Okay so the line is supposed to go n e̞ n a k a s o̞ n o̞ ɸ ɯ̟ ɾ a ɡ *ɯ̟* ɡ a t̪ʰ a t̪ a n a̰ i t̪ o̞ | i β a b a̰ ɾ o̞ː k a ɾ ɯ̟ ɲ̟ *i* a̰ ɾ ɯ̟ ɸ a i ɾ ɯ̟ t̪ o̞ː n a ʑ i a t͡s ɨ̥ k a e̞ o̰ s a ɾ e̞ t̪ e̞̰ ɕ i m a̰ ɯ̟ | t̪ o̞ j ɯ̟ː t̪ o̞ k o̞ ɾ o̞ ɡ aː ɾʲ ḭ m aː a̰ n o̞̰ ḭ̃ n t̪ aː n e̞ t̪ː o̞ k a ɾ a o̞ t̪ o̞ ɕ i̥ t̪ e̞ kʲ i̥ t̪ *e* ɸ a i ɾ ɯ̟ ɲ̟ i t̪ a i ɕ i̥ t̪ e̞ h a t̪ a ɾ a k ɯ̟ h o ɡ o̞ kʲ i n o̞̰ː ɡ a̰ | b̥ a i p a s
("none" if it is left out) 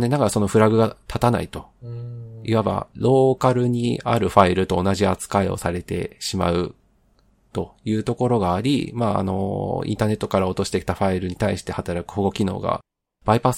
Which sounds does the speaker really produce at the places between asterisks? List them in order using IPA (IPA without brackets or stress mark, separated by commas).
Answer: ɯ̟, i, a